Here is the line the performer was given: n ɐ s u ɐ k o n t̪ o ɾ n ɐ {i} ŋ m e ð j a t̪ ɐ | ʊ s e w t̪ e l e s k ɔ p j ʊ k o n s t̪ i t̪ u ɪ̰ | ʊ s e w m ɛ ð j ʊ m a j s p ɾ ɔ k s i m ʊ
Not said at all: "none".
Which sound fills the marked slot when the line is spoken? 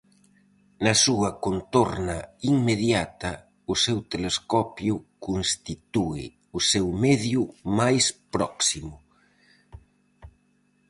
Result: i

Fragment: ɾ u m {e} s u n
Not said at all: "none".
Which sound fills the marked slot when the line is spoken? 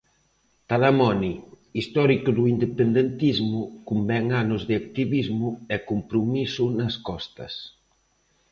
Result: i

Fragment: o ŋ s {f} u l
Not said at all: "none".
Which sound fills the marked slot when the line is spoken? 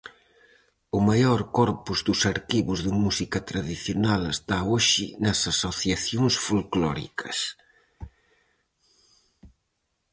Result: f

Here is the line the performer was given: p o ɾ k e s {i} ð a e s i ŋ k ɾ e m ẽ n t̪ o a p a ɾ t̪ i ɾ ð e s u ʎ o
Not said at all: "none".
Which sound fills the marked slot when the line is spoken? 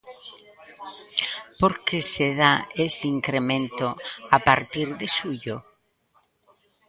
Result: e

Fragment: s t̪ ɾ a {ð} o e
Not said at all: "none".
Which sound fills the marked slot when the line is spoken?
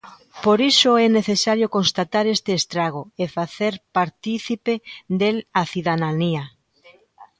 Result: ɣ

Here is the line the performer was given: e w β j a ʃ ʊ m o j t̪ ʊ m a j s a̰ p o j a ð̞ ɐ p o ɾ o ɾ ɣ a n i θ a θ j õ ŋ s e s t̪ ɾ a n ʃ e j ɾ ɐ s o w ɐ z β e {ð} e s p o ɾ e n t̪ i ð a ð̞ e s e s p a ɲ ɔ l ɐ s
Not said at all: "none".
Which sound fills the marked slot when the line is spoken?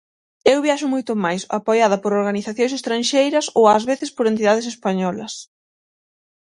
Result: θ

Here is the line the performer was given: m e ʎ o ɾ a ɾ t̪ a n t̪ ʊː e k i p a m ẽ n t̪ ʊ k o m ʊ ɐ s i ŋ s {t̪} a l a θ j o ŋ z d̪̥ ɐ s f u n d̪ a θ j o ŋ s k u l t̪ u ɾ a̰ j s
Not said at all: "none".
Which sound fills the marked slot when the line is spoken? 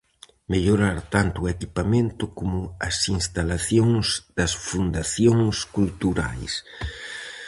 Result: t̪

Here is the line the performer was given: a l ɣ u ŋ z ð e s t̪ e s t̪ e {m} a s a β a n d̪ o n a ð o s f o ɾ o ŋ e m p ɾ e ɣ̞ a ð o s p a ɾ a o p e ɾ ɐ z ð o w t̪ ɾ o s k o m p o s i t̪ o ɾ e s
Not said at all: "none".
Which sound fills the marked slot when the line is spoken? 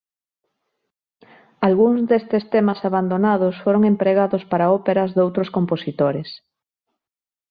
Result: m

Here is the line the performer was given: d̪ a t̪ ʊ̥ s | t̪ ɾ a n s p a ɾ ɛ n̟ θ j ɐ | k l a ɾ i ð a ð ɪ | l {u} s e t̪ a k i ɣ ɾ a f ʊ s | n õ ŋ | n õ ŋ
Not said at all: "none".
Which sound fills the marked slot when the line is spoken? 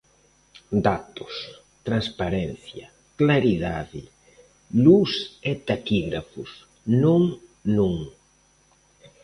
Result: u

